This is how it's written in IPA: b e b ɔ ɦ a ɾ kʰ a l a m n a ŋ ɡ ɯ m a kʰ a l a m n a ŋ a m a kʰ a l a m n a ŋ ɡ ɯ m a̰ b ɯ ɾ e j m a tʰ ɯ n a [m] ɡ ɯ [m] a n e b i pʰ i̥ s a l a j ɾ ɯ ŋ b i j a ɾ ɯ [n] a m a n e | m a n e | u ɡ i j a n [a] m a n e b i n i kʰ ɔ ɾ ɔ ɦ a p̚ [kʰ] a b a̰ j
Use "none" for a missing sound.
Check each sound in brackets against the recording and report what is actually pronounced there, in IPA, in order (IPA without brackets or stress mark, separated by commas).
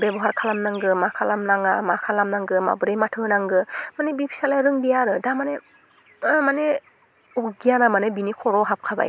ŋ, m, d, a, kʰ